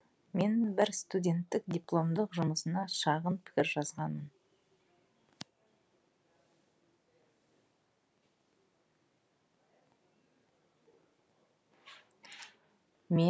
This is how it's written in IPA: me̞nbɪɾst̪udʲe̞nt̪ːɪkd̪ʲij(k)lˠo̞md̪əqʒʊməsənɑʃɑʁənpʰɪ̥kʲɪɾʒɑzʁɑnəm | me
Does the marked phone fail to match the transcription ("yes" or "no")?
yes